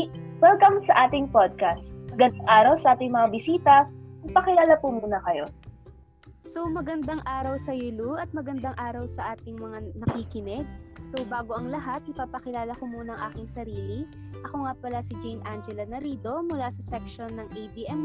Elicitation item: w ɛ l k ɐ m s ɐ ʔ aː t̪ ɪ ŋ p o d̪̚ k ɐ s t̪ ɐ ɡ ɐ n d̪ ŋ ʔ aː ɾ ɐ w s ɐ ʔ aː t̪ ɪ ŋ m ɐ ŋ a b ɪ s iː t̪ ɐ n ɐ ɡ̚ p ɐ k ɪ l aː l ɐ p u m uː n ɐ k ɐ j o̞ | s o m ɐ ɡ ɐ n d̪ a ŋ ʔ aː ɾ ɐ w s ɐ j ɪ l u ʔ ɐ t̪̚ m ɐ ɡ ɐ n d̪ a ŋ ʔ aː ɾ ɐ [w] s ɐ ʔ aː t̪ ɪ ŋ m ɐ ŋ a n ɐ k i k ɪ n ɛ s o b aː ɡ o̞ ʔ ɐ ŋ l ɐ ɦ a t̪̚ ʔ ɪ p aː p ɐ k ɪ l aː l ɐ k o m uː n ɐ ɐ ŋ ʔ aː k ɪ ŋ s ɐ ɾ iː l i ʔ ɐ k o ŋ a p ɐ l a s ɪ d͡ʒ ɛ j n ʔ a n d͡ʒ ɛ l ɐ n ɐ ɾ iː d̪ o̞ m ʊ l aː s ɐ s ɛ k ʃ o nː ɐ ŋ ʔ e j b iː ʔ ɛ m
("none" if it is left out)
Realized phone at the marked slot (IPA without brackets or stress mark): w